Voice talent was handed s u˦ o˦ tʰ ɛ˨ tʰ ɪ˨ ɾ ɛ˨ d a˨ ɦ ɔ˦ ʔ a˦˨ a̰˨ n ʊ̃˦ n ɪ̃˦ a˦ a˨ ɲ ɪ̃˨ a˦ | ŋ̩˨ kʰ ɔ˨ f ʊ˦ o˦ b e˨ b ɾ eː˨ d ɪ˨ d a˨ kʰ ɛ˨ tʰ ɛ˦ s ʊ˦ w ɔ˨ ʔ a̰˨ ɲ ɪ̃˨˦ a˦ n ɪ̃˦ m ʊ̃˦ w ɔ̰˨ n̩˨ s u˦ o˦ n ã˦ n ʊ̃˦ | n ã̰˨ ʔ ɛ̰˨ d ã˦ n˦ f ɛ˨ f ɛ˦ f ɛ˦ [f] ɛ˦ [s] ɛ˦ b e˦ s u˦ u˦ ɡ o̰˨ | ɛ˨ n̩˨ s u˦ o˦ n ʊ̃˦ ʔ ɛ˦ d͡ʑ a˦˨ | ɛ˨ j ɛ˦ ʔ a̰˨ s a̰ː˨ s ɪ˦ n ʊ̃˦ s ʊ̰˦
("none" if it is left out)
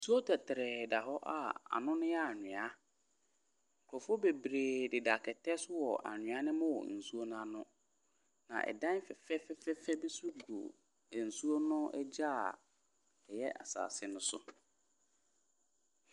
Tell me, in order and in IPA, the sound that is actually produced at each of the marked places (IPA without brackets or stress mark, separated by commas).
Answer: f, f